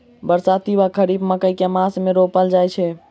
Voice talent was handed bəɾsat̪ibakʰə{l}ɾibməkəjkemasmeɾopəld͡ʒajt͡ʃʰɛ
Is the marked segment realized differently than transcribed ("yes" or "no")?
yes